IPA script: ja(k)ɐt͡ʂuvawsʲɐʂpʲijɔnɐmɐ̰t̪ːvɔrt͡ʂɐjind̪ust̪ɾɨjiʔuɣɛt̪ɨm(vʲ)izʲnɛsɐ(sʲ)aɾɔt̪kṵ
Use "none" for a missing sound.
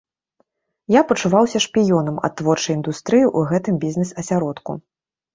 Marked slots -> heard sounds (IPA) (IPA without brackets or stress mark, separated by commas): p, bʲ, sʲ